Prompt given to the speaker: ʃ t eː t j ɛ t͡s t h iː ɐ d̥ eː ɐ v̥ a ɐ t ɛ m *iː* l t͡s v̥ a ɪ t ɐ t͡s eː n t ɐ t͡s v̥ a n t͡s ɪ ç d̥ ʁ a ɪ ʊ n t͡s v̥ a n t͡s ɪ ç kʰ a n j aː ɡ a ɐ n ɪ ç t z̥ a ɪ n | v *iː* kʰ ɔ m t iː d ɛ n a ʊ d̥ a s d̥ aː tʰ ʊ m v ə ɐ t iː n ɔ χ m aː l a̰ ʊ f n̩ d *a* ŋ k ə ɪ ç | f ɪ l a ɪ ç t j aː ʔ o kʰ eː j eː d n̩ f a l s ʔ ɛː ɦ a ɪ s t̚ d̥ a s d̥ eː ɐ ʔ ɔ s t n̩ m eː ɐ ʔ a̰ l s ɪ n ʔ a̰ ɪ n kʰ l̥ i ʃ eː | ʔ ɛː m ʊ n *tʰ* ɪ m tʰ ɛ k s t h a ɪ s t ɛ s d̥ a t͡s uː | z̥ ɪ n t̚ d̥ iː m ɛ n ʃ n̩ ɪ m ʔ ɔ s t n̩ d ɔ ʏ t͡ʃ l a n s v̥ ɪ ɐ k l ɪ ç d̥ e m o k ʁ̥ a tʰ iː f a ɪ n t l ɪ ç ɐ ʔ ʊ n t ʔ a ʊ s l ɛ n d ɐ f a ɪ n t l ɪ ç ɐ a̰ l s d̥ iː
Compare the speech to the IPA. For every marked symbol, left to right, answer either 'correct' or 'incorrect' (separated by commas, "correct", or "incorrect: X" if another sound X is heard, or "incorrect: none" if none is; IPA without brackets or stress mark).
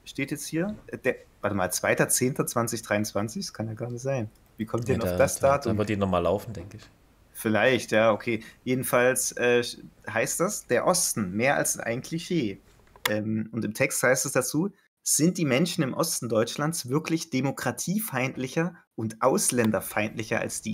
incorrect: aː, correct, incorrect: ɛ, incorrect: t